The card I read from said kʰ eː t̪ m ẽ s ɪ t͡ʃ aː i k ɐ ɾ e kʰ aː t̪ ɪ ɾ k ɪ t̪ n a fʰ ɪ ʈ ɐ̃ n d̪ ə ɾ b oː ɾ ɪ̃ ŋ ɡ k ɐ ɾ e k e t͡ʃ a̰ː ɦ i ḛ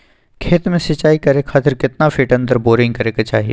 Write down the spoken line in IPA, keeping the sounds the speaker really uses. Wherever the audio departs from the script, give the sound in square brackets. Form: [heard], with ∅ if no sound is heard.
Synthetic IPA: kʰ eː t̪ m ẽ s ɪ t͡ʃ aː i k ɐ ɾ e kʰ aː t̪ ɪ ɾ k ɪ t̪ n a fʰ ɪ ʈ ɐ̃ n d̪ ə ɾ b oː ɾ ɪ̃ ŋ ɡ k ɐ ɾ e k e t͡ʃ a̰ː ɦ i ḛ